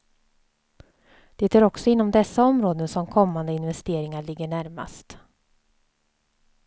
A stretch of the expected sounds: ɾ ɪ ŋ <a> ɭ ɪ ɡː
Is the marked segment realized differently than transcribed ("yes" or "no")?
no